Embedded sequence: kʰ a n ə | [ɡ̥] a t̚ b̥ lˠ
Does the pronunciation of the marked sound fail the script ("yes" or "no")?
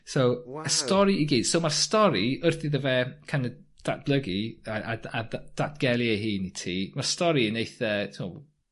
yes